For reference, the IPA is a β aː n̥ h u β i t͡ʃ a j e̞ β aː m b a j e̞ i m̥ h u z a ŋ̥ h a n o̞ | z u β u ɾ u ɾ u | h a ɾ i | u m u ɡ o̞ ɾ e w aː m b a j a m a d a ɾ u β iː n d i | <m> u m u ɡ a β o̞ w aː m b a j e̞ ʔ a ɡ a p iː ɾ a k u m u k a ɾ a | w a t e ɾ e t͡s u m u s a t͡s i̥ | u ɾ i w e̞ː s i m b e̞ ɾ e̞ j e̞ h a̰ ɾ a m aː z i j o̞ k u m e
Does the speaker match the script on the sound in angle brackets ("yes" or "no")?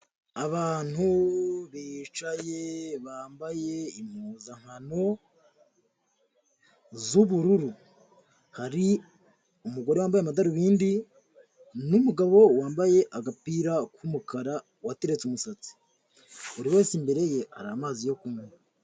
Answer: no